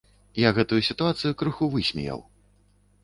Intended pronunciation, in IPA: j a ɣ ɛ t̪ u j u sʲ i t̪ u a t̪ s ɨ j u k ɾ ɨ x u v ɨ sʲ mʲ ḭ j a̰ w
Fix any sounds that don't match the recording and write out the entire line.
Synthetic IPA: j a ɣ ɛ t̪ u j u sʲ i t̪ u a t̪ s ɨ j u k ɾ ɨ x u v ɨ sʲ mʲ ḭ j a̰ w

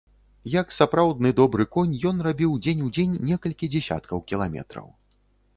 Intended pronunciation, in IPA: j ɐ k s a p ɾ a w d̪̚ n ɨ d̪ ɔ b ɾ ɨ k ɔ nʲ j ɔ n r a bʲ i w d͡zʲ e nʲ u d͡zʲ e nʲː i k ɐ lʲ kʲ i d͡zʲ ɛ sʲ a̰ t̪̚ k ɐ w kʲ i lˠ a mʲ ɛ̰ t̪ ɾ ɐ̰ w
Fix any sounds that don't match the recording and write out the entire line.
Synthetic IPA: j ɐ k s a p ɾ a w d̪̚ n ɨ d̪ ɔ b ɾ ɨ k ɔ nʲ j ɔ n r a bʲ i w d͡zʲ e nʲ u d͡zʲ e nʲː ɛ k ɐ lʲ kʲ i d͡zʲ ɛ sʲ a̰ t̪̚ k ɐ w kʲ i lˠ a mʲ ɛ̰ t̪ ɾ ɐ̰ w

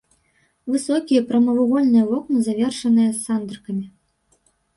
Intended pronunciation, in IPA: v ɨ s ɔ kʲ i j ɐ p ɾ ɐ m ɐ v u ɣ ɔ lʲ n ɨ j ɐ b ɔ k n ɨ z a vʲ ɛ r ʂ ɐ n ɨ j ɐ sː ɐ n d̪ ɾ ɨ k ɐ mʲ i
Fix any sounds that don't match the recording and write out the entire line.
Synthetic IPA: v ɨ s ɔ kʲ i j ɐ p ɾ ɐ m ɐ v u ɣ ɔ lʲ n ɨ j ɐ v ɔ k n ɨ z a vʲ ɛ r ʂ ɐ n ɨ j ɐ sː a n d̪ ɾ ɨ k ɐ mʲ i

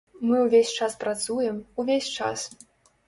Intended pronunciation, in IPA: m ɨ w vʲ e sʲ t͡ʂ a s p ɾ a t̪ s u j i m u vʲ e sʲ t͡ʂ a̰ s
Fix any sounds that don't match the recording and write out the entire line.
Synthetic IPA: m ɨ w vʲ e sʲ t͡ʂ a s p ɾ a t̪ s u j ɛ m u vʲ e sʲ t͡ʂ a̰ s

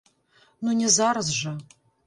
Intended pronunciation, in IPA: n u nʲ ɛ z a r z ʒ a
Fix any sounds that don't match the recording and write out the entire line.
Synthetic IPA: n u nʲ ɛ z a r z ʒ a

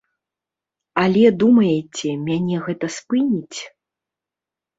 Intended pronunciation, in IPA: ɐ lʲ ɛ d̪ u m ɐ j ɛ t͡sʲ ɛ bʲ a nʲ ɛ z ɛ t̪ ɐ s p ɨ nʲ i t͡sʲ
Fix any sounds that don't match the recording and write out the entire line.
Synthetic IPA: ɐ lʲ ɛ d̪ u m ɐ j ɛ t͡sʲ ɛ mʲ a nʲ ɛ ɣ ɛ t̪ ɐ s p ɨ nʲ i t͡sʲ

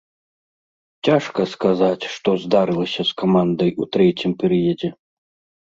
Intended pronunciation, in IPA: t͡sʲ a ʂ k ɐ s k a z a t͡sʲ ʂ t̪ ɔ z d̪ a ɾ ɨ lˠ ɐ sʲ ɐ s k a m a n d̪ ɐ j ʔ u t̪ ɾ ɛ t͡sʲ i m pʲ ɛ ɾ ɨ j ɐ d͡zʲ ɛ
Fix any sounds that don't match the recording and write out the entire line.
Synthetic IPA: t͡sʲ a ʂ k ɐ s k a z a t͡sʲ ʂ t̪ ɔ z d̪ a ɾ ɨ lˠ ɐ sʲ ɐ s k a m a n d̪ ɐ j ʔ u t̪ ɾ ɛ t͡sʲ i m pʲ ɛ ɾ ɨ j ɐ d͡zʲ ɛ

